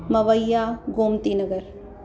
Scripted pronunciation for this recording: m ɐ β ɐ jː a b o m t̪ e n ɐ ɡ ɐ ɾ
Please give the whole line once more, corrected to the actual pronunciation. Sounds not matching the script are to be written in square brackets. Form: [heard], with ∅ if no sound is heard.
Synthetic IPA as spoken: m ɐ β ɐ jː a [ɡ] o m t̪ [i] n ɐ ɡ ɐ ɾ